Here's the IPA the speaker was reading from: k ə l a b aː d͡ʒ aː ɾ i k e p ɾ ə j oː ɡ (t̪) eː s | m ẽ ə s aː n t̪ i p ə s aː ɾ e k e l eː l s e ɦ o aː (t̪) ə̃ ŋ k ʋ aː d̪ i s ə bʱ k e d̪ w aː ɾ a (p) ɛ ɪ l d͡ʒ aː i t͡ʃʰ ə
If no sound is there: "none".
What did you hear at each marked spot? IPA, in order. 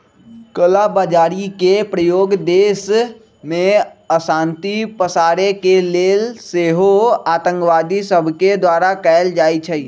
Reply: d̪, t̪, k

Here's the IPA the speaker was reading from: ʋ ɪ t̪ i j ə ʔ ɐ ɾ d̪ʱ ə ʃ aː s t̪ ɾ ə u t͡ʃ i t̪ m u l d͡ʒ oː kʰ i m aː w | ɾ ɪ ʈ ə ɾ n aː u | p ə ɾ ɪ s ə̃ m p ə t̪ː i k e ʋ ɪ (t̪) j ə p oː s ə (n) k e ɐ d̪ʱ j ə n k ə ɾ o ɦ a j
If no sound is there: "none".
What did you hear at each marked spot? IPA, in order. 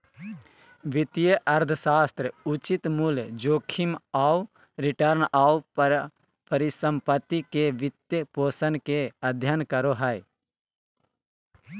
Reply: t̪, n

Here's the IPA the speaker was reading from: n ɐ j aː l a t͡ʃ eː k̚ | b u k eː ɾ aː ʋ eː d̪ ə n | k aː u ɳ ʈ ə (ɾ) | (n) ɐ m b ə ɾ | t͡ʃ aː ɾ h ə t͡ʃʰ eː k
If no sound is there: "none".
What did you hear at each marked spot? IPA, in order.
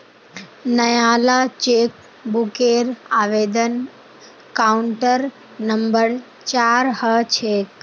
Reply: ɾ, n

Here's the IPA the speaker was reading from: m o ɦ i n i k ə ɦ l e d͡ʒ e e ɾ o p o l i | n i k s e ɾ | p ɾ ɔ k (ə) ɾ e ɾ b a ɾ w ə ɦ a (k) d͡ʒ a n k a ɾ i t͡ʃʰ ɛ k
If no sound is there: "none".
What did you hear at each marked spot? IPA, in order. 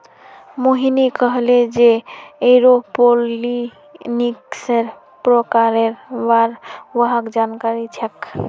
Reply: a, k

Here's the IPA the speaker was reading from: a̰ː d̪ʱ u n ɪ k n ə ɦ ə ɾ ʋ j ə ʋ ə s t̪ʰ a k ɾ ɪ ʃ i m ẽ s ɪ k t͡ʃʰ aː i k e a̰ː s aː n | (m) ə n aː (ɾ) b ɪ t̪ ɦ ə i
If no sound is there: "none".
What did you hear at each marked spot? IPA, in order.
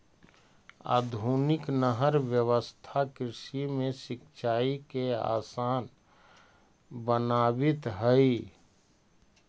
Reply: b, none

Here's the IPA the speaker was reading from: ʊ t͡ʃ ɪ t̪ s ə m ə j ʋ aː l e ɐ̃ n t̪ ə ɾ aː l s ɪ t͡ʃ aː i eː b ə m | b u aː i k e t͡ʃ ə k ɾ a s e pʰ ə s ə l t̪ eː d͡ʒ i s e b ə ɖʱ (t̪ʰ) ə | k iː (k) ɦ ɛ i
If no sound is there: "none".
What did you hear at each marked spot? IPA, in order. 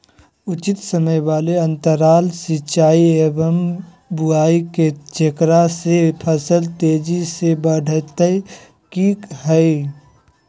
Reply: t̪, k

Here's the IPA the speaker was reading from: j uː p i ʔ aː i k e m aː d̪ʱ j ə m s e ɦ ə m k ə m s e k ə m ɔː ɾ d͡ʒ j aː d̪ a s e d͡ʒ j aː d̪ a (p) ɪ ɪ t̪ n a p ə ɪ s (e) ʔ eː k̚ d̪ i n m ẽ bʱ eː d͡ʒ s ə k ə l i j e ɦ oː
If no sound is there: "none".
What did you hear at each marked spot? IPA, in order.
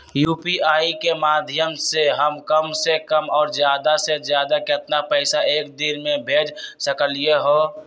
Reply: k, a

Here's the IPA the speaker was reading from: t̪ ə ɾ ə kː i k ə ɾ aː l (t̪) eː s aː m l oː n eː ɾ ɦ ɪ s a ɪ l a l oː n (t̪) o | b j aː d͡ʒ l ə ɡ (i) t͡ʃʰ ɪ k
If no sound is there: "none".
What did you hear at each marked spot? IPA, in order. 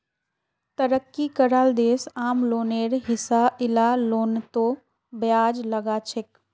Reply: d̪, t̪, a

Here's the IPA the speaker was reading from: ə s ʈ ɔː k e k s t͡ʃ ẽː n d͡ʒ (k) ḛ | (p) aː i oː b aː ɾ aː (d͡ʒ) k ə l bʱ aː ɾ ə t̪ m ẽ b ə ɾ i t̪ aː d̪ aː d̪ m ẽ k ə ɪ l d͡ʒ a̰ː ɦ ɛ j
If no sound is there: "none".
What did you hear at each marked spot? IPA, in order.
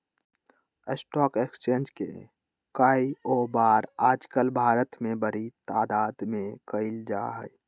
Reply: k, k, d͡ʒ

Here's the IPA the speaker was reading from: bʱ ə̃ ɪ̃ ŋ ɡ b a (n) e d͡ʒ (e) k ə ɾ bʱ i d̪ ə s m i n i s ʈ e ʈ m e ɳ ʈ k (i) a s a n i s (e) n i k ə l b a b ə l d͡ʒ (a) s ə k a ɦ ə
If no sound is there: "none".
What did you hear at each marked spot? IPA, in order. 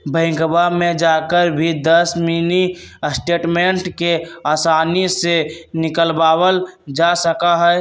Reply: m, a, e, e, a

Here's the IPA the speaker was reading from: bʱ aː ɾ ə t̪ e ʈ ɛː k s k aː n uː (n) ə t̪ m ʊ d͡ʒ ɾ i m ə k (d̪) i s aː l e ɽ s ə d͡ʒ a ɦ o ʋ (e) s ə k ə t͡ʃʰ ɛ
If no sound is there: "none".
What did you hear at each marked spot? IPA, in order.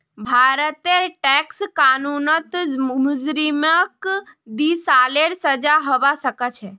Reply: n, d̪, a

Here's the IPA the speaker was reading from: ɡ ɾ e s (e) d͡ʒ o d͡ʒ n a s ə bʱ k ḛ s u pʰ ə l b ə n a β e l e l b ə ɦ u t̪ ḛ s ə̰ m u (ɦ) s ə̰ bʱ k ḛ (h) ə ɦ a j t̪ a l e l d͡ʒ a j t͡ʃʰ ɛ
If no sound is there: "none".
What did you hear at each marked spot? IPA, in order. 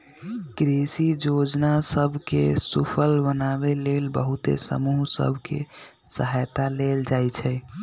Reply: i, ɦ, s

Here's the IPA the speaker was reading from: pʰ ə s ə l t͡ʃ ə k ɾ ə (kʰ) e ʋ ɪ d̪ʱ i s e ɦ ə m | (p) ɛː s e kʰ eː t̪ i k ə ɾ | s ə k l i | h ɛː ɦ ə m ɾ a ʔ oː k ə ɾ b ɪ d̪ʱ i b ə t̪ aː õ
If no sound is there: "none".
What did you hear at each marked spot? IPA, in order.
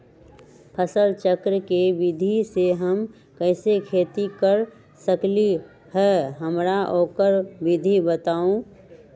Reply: k, k

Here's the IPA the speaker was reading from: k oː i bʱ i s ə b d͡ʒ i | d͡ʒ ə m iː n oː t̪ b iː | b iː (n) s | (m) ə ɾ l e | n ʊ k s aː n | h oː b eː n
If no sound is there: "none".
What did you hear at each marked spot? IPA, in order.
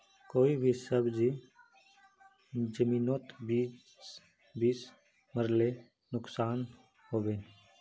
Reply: none, m

